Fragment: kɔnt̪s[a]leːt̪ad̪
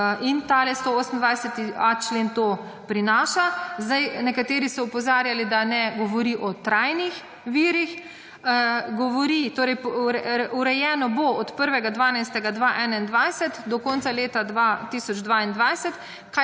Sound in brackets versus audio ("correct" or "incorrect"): correct